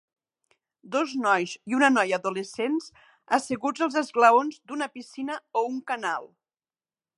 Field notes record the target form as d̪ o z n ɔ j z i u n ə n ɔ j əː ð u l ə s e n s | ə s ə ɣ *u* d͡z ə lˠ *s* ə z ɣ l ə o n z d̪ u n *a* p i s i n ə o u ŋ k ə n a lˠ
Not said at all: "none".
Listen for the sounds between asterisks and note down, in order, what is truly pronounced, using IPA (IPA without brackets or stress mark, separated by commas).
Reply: u, z, ə